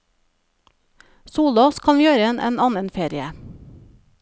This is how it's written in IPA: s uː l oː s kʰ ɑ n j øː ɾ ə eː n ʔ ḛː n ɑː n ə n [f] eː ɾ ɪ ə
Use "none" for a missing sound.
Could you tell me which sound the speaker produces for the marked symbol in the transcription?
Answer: f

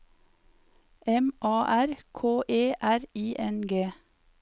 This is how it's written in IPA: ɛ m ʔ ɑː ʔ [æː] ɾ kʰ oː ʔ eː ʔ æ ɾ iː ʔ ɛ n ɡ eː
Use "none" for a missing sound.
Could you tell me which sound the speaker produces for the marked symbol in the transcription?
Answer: æ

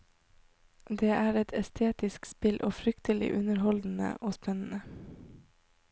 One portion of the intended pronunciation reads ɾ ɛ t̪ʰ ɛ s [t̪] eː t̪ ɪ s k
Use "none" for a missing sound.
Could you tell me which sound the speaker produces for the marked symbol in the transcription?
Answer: t̪ʰ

